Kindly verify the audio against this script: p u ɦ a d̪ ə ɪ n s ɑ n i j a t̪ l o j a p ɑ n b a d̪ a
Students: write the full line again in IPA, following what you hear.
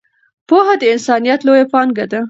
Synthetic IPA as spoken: p o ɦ a d̪ ə ɪ n s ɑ n i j a t̪ l o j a p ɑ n ɡ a d̪ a